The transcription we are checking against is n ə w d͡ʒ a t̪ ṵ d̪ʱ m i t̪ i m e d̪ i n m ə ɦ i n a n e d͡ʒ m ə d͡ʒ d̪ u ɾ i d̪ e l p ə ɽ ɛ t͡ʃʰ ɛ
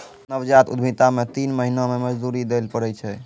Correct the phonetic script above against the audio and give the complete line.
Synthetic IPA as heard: n ə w d͡ʒ a t̪ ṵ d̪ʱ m i t̪ a m e t̪ i n m ə ɦ i n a m e m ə d͡ʒ d̪ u ɾ i d̪ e l p ə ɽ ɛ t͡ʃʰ ɛ